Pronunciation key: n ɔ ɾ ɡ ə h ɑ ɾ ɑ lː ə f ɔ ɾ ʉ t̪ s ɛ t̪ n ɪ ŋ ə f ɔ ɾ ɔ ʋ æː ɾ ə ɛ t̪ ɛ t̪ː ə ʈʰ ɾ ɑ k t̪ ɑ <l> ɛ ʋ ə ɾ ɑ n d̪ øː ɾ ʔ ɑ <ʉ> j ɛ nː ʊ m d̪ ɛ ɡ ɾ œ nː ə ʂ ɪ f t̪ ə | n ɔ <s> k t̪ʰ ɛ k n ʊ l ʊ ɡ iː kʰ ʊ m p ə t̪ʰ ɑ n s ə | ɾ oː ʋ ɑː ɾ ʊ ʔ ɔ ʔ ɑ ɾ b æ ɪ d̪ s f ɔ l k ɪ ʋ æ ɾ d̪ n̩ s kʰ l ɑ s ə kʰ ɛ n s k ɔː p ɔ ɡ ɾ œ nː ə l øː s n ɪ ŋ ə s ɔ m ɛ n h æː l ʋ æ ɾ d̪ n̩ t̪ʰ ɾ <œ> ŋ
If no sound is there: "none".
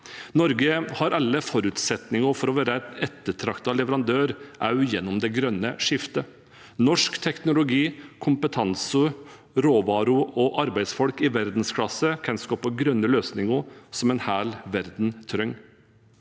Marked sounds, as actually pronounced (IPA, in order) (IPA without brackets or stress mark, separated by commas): l, ʉ, ʂ, œ